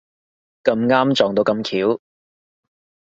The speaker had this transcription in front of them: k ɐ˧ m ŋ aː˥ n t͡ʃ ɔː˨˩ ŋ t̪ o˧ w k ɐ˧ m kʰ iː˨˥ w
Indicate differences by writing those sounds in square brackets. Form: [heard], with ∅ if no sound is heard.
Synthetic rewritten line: k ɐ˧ m ŋ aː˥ [m] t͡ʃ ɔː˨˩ ŋ t̪ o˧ w k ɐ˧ m kʰ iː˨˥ w